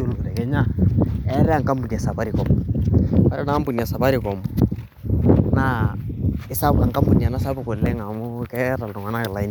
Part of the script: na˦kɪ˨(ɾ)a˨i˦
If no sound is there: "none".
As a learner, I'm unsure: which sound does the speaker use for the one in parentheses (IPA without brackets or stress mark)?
l